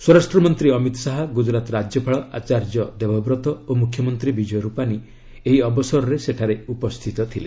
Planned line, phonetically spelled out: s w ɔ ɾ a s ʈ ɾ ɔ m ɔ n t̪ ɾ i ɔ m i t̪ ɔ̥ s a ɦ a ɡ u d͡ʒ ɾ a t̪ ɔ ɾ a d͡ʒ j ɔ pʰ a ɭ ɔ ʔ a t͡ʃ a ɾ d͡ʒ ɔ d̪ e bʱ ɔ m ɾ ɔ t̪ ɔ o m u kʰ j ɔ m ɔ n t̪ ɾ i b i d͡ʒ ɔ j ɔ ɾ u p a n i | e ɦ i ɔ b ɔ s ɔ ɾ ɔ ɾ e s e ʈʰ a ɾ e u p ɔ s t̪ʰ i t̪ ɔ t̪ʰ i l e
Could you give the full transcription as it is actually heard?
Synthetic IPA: s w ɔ ɾ a s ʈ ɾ ɔ m ɔ n t̪ ɾ i ɔ m i t̪ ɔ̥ s a ɦ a ɡ u d͡ʒ ɾ a t̪ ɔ ɾ a d͡ʒ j ɔ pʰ a ɭ ɔ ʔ a t͡ʃ a ɾ d͡ʒ ɔ d̪ e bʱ ɔ b ɾ ɔ t̪ ɔ o m u kʰ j ɔ m ɔ n t̪ ɾ i b i d͡ʒ ɔ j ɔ ɾ u p a n i | e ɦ i ɔ b ɔ s ɔ ɾ ɔ ɾ e s e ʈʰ a ɾ e u p ɔ s t̪ʰ i t̪ ɔ t̪ʰ i l e